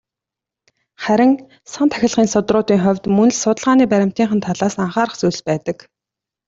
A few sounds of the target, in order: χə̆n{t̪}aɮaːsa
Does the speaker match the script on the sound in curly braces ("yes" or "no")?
no